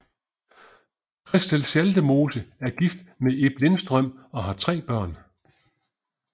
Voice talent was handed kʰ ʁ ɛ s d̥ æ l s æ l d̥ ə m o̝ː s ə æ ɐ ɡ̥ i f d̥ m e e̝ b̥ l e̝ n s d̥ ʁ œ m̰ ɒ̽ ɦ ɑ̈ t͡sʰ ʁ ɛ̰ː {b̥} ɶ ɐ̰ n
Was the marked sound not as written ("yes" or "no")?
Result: no